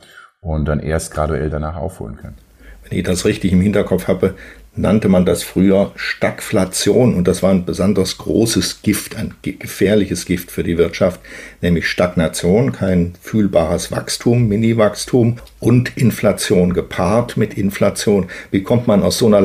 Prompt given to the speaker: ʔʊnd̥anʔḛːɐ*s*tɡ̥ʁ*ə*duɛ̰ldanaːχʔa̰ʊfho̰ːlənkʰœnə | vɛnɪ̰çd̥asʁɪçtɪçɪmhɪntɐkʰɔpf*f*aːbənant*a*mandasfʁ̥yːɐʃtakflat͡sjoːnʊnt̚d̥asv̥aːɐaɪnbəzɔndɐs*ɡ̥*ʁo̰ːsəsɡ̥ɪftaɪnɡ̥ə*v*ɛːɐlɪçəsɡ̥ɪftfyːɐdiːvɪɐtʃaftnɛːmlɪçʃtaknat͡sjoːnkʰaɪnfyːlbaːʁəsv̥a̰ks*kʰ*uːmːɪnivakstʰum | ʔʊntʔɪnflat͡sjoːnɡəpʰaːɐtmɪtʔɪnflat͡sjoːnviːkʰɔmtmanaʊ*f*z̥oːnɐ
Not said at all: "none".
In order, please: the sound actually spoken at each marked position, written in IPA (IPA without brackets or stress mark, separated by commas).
s, a, h, ə, ɡ̥, f, tʰ, s